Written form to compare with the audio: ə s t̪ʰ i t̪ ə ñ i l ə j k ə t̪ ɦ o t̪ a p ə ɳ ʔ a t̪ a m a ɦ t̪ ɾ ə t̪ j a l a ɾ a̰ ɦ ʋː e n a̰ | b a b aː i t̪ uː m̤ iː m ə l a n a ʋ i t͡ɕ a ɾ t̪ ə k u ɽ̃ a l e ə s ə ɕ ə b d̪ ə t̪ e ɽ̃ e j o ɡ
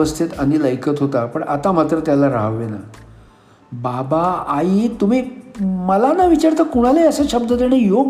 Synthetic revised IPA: ə s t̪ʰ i t̪ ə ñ i l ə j k ə t̪ ɦ o t̪ a p ə ɳ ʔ a t̪ a m a t̪ ɾ ə t̪ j a l a ɾ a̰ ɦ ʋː e n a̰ | b a b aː i t̪ u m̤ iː m ə l a n a ʋ i t͡ɕ a ɾ t̪ ə k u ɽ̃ a l e ə s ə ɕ ə b d̪ ə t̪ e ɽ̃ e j o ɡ